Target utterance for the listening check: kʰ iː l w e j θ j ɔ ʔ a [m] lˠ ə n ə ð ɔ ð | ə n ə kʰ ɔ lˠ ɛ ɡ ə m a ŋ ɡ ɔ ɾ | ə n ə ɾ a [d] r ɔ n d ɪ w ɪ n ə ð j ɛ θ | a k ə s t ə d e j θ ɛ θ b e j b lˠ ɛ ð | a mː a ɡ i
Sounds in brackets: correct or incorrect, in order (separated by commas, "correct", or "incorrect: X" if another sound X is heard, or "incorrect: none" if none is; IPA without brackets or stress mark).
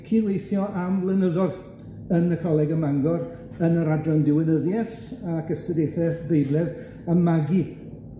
correct, correct